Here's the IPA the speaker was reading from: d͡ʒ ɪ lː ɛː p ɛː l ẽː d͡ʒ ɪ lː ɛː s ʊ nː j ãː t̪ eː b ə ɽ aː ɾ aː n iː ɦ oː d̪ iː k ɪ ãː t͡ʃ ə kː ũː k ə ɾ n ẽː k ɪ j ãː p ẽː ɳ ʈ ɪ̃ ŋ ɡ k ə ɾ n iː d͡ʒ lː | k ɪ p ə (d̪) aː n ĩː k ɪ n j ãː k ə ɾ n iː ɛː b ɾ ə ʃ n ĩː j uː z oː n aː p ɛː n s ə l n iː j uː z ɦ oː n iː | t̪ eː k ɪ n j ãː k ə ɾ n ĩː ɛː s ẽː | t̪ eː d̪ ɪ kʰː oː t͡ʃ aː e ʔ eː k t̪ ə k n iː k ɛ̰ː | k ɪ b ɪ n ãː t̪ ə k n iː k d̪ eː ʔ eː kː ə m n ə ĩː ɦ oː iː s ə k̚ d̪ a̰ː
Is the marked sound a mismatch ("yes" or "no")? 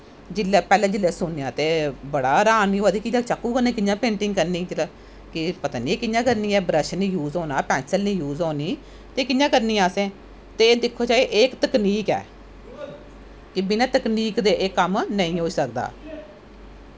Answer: yes